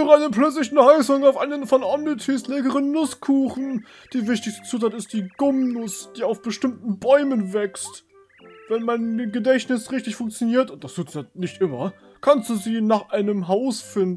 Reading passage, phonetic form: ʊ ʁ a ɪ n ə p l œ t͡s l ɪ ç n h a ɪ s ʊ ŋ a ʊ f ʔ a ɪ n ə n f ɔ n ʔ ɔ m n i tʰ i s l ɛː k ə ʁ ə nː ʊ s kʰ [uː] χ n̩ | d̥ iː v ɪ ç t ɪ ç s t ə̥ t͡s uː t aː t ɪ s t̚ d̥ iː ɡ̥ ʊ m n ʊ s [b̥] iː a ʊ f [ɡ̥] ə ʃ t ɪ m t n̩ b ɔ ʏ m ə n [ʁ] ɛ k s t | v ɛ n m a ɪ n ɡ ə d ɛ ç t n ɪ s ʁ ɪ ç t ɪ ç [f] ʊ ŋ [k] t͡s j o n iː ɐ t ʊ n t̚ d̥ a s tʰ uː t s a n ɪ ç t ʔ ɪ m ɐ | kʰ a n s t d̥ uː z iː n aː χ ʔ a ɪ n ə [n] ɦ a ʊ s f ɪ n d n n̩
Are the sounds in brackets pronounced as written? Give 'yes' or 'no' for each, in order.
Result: yes, no, no, no, yes, yes, no

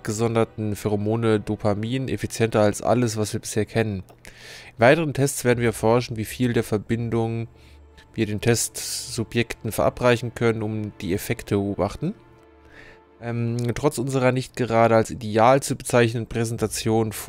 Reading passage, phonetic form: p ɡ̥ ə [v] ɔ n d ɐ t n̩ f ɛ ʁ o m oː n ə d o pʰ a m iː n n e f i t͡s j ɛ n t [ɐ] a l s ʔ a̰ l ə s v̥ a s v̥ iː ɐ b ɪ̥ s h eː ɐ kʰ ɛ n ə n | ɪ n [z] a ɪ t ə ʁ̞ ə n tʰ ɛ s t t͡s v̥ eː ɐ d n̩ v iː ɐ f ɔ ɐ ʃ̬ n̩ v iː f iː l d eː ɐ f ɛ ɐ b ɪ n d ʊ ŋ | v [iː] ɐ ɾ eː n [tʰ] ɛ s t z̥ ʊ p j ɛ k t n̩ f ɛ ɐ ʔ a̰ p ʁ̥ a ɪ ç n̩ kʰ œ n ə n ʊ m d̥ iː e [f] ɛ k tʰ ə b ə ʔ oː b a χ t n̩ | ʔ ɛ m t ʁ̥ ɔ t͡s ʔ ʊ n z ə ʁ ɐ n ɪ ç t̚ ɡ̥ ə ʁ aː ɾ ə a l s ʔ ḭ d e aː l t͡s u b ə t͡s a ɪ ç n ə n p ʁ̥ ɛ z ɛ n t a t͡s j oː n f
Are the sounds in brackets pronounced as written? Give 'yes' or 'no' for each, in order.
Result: no, yes, no, yes, yes, yes

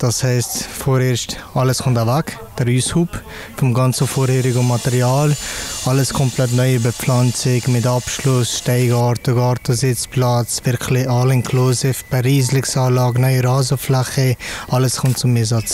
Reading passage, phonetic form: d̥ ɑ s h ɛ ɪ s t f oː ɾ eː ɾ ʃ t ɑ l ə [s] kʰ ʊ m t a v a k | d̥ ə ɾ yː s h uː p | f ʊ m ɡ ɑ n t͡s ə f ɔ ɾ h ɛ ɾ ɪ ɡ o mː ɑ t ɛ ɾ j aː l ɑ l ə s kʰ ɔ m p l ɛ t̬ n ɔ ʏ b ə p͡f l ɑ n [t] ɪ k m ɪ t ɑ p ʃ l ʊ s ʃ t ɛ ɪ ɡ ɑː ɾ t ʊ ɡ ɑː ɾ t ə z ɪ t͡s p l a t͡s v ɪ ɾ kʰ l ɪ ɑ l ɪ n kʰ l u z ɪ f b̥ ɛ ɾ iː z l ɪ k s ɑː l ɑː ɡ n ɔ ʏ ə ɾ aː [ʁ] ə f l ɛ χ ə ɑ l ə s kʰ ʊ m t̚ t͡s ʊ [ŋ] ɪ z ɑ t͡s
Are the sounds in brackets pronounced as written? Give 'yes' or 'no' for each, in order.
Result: yes, no, no, no

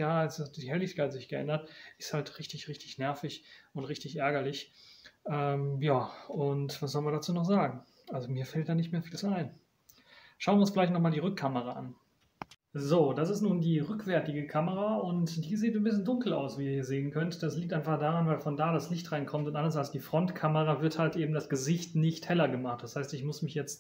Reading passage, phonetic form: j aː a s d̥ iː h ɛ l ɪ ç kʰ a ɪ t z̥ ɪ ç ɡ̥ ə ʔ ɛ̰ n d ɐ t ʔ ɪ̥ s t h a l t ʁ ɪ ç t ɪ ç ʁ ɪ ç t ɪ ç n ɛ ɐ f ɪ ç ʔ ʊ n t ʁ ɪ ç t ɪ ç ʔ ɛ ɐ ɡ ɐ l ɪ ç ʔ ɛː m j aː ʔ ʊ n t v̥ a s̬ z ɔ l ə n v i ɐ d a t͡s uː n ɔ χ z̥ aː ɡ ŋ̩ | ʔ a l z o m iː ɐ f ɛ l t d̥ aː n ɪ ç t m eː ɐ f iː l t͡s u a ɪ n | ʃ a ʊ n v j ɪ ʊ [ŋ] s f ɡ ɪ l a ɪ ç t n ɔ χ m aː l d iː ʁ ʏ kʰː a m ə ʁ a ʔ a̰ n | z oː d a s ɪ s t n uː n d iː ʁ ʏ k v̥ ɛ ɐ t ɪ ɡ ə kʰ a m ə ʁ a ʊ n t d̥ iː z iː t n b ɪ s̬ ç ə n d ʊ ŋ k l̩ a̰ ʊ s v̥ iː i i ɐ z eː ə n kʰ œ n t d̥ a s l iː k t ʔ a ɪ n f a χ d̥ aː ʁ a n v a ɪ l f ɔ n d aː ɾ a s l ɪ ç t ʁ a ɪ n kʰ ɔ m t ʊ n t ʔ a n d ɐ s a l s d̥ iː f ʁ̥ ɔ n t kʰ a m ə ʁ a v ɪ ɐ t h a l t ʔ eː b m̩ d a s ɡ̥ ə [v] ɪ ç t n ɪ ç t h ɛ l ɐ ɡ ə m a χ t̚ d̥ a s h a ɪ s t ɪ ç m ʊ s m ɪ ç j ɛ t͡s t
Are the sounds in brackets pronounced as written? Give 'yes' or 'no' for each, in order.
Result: no, no

